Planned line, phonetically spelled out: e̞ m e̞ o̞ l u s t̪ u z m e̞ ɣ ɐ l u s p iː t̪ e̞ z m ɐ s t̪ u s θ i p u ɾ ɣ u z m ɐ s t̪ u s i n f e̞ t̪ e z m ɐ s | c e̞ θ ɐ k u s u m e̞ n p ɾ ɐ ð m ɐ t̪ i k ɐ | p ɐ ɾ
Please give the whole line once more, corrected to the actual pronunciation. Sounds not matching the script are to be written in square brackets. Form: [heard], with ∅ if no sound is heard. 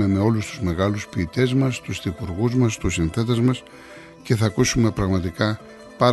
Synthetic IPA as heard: e̞ m e̞ o̞ l u s t̪ u z m e̞ ɣ ɐ l u s p iː t̪ e̞ z m ɐ s t̪ u s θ i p u ɾ ɣ u z m ɐ s t̪ u s i n [θ] e̞ t̪ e z m ɐ s | c e̞ θ ɐ k u s u m e̞ [∅] p ɾ ɐ [ɣ] m ɐ t̪ i k ɐ | p ɐ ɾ